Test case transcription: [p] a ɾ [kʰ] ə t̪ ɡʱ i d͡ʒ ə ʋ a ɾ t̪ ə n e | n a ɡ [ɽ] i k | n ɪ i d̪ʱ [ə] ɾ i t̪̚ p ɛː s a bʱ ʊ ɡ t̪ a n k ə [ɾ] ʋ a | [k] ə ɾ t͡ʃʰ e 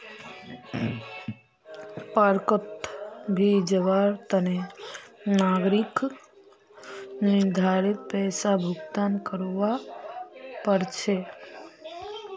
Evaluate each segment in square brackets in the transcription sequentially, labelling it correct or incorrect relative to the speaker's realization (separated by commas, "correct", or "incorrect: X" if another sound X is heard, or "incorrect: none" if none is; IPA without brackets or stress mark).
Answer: correct, incorrect: k, incorrect: ɾ, incorrect: a, correct, incorrect: p